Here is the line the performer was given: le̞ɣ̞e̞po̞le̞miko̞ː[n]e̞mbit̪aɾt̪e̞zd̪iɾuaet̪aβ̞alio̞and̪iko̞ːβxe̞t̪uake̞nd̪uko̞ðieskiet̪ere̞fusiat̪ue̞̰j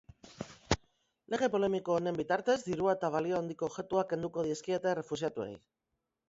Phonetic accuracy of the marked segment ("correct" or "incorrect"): correct